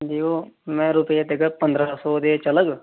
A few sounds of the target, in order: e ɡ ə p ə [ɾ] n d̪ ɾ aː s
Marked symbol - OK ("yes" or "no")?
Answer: no